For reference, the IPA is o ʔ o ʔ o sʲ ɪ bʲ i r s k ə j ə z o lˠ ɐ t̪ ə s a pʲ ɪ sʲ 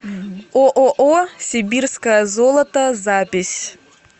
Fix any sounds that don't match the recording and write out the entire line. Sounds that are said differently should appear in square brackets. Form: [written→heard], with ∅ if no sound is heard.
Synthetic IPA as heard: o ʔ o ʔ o sʲ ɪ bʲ i r s k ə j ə z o lˠ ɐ t̪ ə [s→z] a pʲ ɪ sʲ